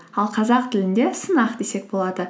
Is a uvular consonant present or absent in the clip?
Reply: present